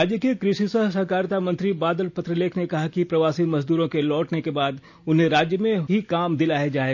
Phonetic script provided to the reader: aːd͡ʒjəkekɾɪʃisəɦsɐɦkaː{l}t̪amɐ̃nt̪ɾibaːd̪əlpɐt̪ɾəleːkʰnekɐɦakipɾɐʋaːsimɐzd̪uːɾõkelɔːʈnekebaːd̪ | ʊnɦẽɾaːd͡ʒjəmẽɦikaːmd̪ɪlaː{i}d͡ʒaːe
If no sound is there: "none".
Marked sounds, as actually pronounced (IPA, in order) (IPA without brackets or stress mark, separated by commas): ɾ, e